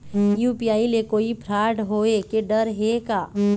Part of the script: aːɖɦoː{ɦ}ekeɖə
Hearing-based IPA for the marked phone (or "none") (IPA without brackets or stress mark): none